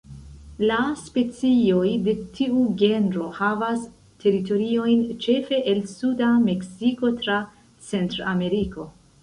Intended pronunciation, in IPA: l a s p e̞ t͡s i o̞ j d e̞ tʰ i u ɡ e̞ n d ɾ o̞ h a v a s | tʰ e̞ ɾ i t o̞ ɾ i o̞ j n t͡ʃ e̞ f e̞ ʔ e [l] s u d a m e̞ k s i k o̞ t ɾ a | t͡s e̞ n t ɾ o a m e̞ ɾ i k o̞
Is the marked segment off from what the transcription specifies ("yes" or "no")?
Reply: no